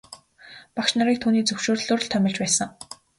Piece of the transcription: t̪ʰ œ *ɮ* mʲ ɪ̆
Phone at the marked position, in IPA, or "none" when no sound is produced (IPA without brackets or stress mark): none